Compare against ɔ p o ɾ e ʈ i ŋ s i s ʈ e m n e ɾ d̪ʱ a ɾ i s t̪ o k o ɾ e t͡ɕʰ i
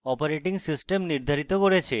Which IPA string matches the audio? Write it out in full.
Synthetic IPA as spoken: ɔ p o ɾ e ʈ i ŋ s i s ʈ e m n i ɾ d̪ʱ a ɾ i t̪ o k o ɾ e t͡ɕʰ e